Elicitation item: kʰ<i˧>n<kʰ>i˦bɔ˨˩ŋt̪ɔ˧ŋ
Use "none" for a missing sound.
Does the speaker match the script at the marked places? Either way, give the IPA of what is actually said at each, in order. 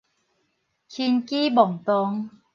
i˧, k

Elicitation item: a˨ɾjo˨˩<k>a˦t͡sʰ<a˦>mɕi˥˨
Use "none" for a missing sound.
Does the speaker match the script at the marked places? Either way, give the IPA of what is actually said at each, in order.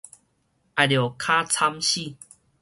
kʰ, a˦

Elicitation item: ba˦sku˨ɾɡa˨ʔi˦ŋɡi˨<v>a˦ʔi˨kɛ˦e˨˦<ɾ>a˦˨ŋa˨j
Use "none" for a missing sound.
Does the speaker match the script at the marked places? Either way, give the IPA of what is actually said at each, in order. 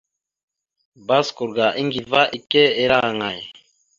v, ɾ

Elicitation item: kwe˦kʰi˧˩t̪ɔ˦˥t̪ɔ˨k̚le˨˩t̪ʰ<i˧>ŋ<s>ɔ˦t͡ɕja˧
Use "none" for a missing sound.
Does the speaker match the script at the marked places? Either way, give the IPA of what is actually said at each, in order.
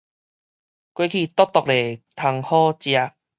a˧, h

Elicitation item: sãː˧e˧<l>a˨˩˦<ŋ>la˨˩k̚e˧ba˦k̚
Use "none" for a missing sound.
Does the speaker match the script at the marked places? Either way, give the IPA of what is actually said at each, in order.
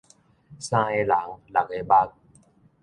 l, ŋ

